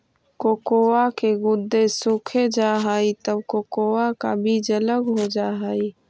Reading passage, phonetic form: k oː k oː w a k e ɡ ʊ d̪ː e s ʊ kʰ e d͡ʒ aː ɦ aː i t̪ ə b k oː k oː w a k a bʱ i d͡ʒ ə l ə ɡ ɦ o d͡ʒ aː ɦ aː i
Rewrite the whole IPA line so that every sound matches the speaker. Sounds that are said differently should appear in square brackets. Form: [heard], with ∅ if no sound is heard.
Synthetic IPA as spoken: k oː k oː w a k e ɡ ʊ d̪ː e s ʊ kʰ e d͡ʒ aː ɦ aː i t̪ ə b k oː k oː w a k a bʱ i d͡ʒ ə l ə ɡ ɦ o d͡ʒ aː ɦ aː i